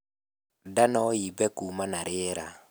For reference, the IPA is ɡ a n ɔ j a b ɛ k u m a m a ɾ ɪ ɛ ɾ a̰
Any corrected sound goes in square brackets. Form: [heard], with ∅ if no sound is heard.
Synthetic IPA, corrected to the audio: [d] a n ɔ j [i] b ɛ k u m a [n] a ɾ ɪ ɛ ɾ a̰